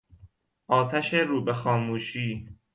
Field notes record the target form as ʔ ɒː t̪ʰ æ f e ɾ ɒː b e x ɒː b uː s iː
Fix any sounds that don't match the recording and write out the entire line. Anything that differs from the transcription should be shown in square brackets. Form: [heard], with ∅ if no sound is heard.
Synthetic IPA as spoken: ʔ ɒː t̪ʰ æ [ʃ] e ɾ [uː] b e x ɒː [m] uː [ʃ] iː

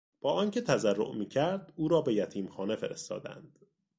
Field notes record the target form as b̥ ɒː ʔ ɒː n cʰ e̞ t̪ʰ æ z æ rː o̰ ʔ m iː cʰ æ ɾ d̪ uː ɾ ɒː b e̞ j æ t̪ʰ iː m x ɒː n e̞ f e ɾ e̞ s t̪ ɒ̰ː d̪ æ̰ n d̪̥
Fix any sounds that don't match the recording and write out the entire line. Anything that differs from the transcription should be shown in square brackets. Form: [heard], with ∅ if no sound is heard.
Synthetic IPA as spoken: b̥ ɒː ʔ ɒː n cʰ e̞ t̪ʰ æ z æ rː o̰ ʔ m iː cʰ æ ɾ d̪ uː ɾ ɒː b e̞ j æ t̪ʰ iː m x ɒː n e̞ f e ɾ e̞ s t̪ ɒ̰ː d̪ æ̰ n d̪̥

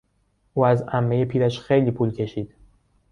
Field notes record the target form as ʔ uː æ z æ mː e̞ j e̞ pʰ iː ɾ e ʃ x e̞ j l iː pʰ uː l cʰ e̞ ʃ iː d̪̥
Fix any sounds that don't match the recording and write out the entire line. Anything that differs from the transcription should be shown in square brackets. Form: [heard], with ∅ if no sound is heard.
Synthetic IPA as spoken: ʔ uː æ z æ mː e̞ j e̞ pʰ iː ɾ [æ] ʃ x e̞ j l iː pʰ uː l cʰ e̞ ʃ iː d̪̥

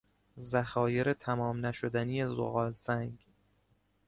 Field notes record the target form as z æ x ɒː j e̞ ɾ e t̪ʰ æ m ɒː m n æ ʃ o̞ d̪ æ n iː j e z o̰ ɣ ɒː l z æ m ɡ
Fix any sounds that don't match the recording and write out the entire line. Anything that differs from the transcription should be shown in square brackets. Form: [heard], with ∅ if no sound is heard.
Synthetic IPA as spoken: z æ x ɒː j e̞ ɾ e t̪ʰ æ m ɒː m n æ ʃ o̞ d̪ æ n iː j e z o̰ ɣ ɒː l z æ [ŋ] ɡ

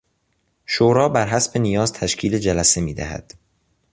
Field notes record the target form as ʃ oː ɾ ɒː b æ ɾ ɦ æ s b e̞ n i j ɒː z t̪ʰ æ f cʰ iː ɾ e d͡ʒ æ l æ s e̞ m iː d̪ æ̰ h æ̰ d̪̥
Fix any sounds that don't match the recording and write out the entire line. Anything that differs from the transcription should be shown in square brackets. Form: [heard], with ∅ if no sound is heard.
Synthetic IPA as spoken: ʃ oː ɾ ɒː b æ ɾ ɦ æ s b e̞ n i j ɒː z t̪ʰ æ [ʃ] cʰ iː [l] e d͡ʒ æ l æ s e̞ m iː d̪ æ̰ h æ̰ d̪̥

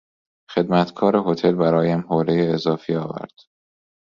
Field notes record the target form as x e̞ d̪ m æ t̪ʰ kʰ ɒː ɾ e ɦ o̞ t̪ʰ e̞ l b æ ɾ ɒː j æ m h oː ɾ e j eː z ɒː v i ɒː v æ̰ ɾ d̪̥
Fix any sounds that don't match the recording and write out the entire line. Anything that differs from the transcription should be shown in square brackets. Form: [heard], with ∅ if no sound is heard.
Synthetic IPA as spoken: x e̞ d̪ m æ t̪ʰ kʰ ɒː ɾ e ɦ o̞ t̪ʰ e̞ l b æ ɾ ɒː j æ m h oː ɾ e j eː z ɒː [f] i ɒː v æ̰ ɾ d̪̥

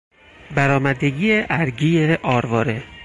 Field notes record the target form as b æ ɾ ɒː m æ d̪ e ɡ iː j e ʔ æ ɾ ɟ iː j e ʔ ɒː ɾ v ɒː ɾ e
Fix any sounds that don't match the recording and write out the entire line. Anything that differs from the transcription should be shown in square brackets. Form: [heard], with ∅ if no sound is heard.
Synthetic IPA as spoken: b æ ɾ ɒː m æ d̪ e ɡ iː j e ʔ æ ɾ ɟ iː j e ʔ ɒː ɾ v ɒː ɾ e

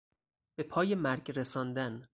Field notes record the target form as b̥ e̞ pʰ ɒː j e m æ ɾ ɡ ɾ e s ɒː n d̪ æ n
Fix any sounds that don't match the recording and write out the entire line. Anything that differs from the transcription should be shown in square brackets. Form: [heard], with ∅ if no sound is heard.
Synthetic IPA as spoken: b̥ e̞ pʰ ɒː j e m æ ɾ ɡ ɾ e s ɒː n d̪ æ n

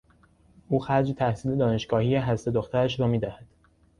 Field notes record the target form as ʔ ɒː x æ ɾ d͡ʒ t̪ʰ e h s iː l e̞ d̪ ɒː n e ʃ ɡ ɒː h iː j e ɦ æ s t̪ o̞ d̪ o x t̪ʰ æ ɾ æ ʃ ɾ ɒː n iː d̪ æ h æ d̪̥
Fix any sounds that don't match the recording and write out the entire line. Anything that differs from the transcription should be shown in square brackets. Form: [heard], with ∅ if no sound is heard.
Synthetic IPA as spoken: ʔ [uː] x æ ɾ d͡ʒ t̪ʰ [æ] h s iː l e̞ d̪ ɒː n e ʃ ɡ ɒː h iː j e ɦ æ s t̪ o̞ d̪ o x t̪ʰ æ ɾ æ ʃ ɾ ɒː [m] iː d̪ æ h æ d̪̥

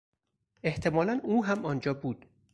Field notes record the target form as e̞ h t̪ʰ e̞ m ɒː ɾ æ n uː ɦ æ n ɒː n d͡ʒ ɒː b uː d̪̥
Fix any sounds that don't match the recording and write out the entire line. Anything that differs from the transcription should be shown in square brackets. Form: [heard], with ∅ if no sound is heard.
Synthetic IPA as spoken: e̞ h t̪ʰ e̞ m ɒː [l] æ n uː ɦ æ [m] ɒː n d͡ʒ ɒː b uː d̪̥

